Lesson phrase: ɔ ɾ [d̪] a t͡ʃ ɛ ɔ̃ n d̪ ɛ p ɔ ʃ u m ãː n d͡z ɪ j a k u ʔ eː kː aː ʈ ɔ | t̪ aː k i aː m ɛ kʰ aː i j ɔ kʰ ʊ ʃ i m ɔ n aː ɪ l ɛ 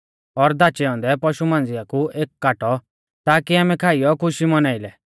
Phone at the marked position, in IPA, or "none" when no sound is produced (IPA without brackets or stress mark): d̪